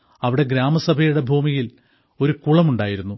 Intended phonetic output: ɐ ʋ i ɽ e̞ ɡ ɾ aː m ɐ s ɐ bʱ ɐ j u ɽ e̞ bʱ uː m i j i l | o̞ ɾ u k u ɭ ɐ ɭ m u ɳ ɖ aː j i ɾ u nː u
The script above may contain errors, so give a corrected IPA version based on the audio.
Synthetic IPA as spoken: ɐ ʋ i ɽ e̞ ɡ ɾ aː m ɐ s ɐ bʱ ɐ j u ɽ e̞ bʱ uː m i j i l | o̞ ɾ u k u ɭ ɐ m u ɳ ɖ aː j i ɾ u nː u